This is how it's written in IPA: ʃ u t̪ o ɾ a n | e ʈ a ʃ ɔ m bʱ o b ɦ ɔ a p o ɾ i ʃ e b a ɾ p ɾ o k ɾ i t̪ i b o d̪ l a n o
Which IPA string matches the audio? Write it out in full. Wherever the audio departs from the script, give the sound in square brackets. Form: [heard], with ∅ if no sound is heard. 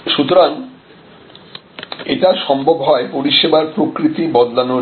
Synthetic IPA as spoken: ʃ u t̪ o ɾ a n | e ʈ a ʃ ɔ m bʱ o b ɦ ɔ [e] p o ɾ i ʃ e b a ɾ p ɾ o k ɾ i t̪ i b [ɔ] d̪ l a n o